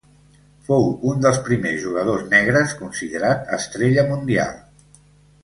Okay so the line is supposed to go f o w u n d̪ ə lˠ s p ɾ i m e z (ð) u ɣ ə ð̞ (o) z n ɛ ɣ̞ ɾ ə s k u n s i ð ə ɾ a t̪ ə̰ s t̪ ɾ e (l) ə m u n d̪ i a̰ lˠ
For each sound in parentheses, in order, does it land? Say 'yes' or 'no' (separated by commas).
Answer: no, yes, no